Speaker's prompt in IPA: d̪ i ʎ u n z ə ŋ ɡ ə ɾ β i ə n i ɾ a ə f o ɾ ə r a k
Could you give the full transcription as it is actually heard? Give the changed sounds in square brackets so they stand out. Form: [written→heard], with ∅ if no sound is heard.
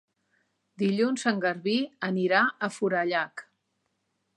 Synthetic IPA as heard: d̪ i ʎ u n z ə ŋ ɡ ə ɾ β i ə n i ɾ a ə f [o→u] ɾ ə [r→ʎ] a k

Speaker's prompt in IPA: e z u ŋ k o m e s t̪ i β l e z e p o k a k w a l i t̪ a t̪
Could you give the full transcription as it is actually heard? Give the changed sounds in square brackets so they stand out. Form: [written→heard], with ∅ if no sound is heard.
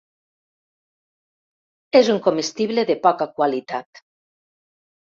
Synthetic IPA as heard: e z u ŋ k o m e s t̪ i β l e [z→ð] e p [o→ɔ] k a k w a l i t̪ a t̪

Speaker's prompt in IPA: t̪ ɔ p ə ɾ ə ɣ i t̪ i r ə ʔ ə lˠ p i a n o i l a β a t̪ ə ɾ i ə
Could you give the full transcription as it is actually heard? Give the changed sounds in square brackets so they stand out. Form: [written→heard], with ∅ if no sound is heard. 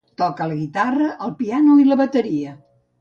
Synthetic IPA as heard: t̪ ɔ [p→k] ə [ɾ→l] ə ɣ i t̪ [i→a] r ə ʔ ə lˠ p i a n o i l [a→ə] β [a→ə] t̪ ə ɾ i ə

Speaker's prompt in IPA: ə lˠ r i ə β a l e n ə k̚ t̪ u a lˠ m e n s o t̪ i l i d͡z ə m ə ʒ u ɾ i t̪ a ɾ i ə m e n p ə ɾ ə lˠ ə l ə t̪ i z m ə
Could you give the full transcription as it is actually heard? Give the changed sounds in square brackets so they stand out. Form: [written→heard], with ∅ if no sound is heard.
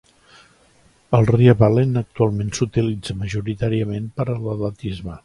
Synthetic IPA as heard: ə lˠ r i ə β a l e n ə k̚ t̪ u a lˠ m e n s [o→u] t̪ i l i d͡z ə m ə ʒ u ɾ i t̪ a ɾ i ə m e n p ə ɾ ə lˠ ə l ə t̪ i z m ə

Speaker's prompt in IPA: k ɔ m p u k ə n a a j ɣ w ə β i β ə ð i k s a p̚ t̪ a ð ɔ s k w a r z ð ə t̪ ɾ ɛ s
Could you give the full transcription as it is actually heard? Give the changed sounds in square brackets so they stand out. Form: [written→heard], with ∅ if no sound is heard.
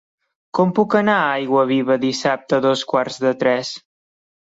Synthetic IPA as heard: k ɔ m p u k ə n a a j ɣ w ə β i β ə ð i [k→∅] s a p̚ t̪ [a→ə] ð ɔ s k w a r z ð ə t̪ ɾ ɛ s

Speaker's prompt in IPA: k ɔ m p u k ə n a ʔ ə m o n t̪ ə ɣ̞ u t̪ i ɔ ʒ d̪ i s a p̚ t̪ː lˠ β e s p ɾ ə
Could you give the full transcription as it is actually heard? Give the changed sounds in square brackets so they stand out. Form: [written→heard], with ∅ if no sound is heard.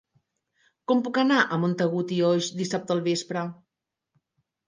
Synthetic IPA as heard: k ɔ m p u k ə n a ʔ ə m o n t̪ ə ɣ̞ u t̪ i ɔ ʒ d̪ i s a p̚ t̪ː lˠ β e s p ɾ ə

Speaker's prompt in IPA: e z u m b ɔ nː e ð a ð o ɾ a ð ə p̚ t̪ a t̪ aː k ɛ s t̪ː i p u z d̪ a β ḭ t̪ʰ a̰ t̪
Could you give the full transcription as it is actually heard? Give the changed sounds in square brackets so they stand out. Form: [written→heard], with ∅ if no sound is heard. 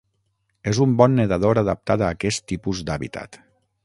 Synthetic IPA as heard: e z u m b ɔ nː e ð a ð o ɾ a ð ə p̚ t̪ a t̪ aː k ɛ s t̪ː i p u z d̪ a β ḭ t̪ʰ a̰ t̪

